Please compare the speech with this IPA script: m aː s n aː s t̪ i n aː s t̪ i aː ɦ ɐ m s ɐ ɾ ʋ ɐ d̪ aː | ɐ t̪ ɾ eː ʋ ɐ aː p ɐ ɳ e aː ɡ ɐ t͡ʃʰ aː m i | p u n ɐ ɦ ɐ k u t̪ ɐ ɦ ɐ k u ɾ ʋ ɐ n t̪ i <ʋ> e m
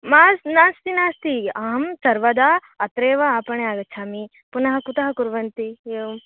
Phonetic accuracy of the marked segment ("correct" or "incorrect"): incorrect